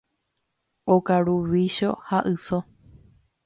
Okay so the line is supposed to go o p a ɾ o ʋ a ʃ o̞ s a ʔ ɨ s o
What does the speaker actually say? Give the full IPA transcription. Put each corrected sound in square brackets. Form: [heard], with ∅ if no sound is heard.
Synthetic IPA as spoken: o [k] a ɾ [u] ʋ [i] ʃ o̞ [h] a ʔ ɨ s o